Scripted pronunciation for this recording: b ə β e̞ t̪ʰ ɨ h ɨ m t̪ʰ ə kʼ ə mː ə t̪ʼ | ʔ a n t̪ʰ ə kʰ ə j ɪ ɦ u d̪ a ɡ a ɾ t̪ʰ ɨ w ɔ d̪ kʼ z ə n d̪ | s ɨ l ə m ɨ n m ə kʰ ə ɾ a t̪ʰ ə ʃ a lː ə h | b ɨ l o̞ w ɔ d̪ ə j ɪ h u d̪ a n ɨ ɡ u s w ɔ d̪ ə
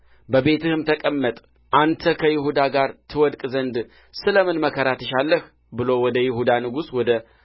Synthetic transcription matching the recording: b ə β e̞ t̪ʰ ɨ h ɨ m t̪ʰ ə kʼ ə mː ə t̪ʼ | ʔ a n t̪ʰ ə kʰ ə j ɪ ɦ u d̪ a ɡ a ɾ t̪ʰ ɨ w ɔ d̪ kʼ z ə n d̪ | s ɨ l ə m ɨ n m ə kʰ ə ɾ a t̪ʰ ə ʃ a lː ə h | b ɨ l o̞ w ɔ d̪ ə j ɪ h u d̪ a n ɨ ɡ u s w ɔ d̪ ə